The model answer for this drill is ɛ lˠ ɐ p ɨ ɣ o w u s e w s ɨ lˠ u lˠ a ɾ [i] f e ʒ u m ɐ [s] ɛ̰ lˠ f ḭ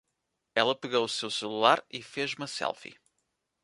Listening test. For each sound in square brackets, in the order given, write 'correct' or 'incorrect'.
correct, correct

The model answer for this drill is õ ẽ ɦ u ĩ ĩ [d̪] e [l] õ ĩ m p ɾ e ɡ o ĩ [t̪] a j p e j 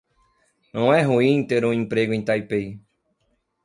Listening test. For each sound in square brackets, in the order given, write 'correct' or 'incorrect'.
incorrect: t̪, incorrect: ɾ, correct

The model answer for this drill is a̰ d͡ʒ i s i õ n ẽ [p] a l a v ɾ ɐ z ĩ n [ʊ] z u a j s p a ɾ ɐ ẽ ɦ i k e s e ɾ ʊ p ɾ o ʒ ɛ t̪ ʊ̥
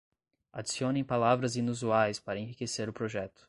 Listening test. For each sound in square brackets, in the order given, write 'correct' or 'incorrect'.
correct, incorrect: u

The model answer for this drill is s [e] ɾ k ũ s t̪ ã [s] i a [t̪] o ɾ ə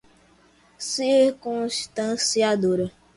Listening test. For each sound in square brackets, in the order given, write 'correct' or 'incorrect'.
incorrect: i, correct, incorrect: d̪

